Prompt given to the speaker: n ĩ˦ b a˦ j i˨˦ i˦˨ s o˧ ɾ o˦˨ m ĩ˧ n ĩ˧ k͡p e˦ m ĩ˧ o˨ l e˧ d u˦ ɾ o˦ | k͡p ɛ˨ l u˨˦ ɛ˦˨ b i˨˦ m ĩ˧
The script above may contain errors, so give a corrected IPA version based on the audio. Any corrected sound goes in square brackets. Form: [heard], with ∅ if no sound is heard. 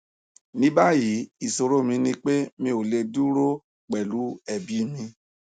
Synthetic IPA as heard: n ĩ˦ b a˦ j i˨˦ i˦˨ s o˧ ɾ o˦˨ m ĩ˧ n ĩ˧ k͡p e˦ m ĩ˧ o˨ l e˧ d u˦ ɾ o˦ | k͡p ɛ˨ l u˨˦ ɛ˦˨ b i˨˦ m ĩ˧